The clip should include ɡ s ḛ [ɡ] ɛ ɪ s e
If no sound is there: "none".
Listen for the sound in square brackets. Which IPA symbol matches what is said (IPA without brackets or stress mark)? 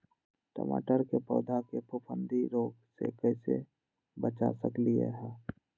k